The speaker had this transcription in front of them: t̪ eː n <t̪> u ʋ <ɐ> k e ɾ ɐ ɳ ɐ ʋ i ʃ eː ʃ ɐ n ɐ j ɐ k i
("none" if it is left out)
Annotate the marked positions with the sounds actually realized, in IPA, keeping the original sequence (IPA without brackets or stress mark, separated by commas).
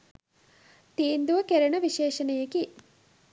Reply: d̪, ɐ